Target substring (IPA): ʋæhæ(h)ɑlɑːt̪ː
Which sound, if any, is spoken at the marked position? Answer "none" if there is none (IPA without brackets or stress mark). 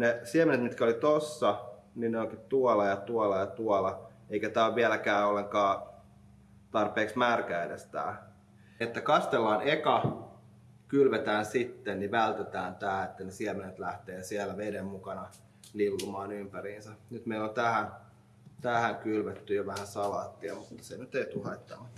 s